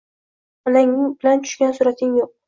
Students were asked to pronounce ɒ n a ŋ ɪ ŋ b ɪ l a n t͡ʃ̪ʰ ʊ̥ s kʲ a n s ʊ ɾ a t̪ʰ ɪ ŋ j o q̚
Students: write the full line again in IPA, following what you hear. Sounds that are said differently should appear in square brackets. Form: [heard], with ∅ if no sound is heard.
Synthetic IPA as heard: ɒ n a ŋ ɪ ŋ b ɪ l a n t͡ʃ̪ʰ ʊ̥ [ʃ] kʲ a n s ʊ ɾ a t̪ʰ ɪ ŋ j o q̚